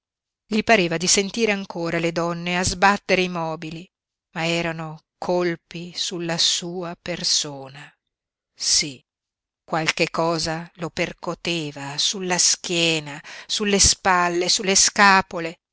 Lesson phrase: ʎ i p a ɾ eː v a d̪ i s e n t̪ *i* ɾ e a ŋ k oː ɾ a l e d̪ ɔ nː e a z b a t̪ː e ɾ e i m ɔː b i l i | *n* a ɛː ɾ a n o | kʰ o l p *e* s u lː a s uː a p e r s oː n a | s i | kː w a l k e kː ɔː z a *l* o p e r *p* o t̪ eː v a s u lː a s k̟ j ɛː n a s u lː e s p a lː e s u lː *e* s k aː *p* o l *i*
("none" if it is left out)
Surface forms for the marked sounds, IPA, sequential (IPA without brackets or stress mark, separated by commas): iː, m, i, l, k, e, p, e